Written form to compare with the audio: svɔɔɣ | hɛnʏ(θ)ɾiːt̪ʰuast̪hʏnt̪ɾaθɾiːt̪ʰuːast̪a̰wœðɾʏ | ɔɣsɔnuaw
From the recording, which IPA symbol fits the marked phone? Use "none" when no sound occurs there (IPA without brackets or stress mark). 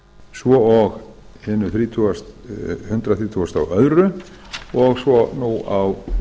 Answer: θ